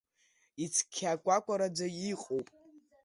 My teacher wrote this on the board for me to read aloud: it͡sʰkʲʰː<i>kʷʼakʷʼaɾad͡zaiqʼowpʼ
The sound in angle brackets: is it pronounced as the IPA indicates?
no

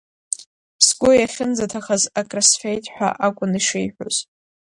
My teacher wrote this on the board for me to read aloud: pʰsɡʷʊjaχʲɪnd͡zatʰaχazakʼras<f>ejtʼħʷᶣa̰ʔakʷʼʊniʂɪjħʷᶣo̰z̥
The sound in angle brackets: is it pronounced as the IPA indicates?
yes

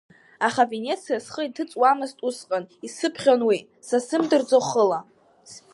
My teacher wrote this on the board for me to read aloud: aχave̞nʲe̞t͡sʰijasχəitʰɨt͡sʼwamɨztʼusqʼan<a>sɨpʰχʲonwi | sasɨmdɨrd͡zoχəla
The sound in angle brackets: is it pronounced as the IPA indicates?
no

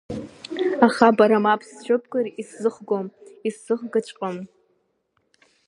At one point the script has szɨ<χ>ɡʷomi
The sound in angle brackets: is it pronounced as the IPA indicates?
yes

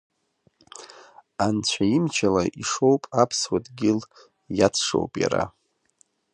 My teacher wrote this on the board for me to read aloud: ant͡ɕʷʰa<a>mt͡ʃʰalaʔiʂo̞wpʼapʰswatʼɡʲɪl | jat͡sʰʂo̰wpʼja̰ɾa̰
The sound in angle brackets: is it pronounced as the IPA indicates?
no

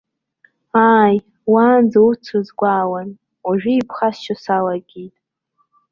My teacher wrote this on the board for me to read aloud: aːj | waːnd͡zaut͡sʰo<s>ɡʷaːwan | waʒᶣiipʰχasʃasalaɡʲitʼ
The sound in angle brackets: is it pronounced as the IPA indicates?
no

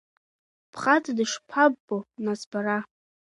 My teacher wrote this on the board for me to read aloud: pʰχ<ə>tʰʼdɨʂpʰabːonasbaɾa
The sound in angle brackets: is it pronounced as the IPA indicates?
no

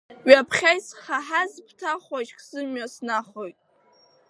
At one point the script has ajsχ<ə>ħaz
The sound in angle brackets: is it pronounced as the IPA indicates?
no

